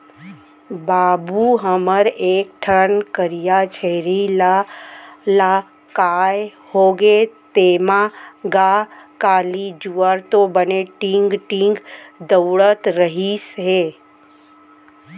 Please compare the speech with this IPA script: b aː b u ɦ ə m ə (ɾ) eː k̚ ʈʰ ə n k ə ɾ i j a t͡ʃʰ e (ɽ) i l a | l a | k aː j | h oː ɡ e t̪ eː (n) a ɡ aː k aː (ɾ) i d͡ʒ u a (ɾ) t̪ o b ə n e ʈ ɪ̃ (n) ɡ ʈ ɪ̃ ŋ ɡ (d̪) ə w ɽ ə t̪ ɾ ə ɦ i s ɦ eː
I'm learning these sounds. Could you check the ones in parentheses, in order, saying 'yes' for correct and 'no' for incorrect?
yes, no, no, no, yes, no, yes

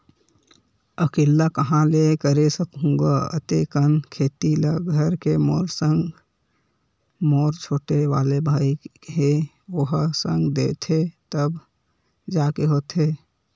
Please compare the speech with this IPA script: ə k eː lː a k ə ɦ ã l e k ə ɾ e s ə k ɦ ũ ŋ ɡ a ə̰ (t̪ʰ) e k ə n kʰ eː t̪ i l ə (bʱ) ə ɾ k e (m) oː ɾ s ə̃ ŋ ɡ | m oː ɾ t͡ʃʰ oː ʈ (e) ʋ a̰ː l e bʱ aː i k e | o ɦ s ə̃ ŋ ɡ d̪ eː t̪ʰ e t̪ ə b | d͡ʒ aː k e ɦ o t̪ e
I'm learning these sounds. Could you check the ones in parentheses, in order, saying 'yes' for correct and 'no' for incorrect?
no, no, yes, yes

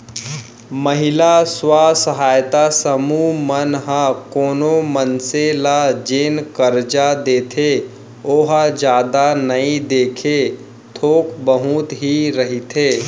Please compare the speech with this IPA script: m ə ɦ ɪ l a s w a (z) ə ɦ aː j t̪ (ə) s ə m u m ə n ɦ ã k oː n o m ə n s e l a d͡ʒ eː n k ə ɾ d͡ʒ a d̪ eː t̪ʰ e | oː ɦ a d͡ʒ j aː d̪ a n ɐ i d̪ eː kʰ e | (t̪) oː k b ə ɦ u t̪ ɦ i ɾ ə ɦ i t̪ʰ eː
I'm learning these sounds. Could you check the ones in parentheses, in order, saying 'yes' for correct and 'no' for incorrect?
no, no, no

